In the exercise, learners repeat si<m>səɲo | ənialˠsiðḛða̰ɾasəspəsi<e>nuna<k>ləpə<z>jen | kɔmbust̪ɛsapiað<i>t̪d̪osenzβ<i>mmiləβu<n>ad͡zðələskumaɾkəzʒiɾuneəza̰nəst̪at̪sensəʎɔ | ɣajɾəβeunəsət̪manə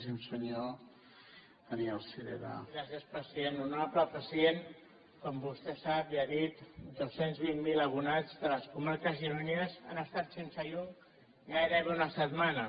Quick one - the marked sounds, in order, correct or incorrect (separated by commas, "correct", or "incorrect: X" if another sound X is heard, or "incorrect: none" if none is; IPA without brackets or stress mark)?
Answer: correct, correct, incorrect: p, incorrect: s, correct, correct, correct